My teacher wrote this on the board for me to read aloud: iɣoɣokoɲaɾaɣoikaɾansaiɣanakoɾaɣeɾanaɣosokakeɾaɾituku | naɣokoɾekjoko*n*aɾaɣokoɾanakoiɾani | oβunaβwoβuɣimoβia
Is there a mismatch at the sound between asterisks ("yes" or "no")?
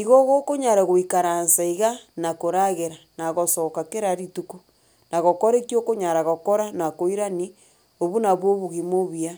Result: yes